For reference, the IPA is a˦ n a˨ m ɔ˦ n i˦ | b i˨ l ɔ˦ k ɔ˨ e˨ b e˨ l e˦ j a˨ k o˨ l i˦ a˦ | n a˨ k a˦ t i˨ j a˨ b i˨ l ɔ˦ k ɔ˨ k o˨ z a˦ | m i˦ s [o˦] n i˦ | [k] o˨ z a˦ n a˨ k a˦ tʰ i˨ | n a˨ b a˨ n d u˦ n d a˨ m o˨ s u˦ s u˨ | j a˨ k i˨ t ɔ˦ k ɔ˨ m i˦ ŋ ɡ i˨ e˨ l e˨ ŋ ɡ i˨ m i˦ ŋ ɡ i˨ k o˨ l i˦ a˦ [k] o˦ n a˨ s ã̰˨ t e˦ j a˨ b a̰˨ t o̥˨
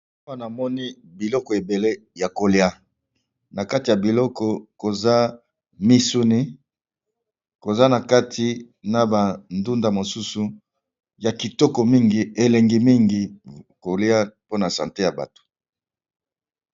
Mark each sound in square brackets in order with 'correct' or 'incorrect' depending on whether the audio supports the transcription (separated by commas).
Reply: incorrect, correct, incorrect